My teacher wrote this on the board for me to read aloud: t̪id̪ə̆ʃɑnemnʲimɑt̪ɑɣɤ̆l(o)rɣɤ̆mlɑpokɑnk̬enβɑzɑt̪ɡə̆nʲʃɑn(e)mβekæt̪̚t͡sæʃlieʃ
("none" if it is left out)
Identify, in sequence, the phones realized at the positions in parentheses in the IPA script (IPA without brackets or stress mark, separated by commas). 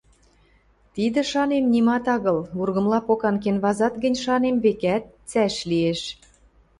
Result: u, e